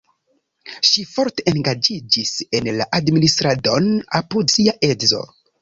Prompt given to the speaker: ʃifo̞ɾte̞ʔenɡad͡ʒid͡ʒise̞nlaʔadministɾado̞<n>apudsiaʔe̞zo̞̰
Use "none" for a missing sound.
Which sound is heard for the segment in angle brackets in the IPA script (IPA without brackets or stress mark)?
n